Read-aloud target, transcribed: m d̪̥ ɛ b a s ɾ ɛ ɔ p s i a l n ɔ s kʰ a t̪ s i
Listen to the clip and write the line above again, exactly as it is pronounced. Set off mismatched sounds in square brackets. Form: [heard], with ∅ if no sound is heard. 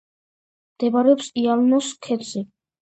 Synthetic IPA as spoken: m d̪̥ ɛ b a [∅] ɾ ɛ ɔ p s i a l n ɔ s kʰ [ɛ] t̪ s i